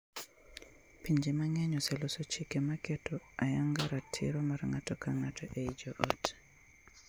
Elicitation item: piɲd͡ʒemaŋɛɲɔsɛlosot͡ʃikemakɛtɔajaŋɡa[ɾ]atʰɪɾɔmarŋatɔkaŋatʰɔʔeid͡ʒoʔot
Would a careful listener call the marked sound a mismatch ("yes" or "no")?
no